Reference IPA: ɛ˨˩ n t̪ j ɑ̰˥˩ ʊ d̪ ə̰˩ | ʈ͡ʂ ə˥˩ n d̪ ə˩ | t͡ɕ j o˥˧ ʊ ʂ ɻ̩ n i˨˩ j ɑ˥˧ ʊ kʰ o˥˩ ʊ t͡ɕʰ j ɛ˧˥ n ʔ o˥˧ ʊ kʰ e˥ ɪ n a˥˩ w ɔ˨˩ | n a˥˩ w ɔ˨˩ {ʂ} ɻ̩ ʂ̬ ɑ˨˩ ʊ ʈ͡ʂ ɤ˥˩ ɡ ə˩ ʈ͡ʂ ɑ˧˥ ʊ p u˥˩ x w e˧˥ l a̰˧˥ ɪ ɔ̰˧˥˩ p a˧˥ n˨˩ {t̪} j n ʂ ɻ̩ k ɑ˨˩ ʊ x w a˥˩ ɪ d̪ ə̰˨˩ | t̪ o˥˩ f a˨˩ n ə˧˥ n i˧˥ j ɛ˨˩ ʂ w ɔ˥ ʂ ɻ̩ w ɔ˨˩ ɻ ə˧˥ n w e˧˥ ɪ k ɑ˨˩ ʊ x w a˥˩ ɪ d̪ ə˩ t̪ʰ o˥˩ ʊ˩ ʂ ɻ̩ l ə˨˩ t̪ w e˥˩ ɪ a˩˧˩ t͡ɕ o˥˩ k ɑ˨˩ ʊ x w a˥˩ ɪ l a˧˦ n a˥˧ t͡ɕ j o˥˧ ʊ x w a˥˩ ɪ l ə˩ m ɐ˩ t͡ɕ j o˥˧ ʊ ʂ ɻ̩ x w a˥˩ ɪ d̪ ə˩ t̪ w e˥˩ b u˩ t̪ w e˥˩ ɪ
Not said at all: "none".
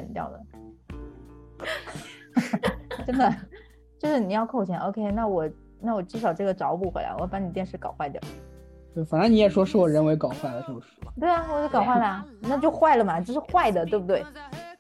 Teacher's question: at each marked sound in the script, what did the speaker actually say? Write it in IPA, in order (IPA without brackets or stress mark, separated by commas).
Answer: ʈ͡ʂ, t̪